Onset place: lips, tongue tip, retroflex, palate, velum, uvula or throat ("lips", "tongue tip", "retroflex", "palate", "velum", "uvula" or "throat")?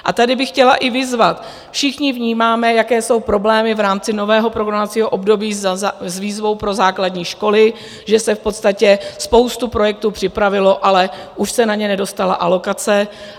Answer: throat